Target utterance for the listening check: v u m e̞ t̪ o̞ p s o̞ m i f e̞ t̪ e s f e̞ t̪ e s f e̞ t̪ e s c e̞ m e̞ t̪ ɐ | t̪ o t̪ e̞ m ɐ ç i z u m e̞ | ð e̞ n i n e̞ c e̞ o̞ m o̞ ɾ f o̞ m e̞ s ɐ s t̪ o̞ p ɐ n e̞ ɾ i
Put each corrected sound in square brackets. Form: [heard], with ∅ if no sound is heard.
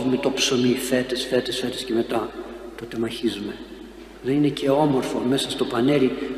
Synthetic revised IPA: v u m e̞ t̪ o̞ p s o̞ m i f e̞ t̪ e s f e̞ t̪ e s f e̞ t̪ e s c e̞ m e̞ t̪ ɐ | t̪ o t̪ e̞ m ɐ ç i z u m e̞ | ð e̞ n i n e̞ c e̞ o̞ m o̞ ɾ f o̞ m e̞ s ɐ s t̪ o̞ p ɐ n e̞ ɾ i